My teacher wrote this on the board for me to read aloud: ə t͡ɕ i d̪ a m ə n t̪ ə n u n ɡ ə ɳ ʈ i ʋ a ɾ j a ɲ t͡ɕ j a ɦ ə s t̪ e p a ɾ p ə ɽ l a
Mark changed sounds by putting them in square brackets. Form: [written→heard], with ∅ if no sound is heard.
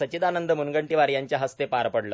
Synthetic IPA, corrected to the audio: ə t͡ɕ i d̪ a [m→n] ə n [t̪→d̪] ə [n→m] u n ɡ ə ɳ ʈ i ʋ a ɾ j a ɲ t͡ɕ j a ɦ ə s t̪ e p a ɾ p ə ɽ l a